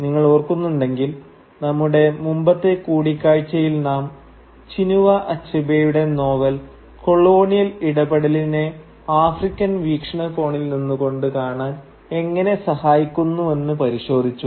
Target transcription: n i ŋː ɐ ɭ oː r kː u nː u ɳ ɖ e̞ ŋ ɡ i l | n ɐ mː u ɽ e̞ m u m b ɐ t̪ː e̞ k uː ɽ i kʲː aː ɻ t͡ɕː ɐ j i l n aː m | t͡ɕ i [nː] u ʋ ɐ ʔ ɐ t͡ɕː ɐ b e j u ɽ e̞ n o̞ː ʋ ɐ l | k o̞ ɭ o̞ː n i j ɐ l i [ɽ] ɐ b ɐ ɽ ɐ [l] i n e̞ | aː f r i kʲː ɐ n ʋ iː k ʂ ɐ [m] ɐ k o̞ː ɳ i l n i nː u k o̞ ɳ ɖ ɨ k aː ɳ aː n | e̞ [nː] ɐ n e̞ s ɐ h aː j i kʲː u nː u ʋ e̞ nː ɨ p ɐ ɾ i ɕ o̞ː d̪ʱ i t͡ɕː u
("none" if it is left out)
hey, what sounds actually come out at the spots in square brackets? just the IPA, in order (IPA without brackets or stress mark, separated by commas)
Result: n, ɽ, l, ɳ, ŋː